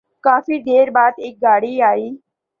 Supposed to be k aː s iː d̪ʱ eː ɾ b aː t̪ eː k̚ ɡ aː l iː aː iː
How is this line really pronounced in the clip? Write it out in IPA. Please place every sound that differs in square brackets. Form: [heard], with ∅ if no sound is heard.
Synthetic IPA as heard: k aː [f] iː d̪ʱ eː ɾ b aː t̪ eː k̚ ɡ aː [ɽ] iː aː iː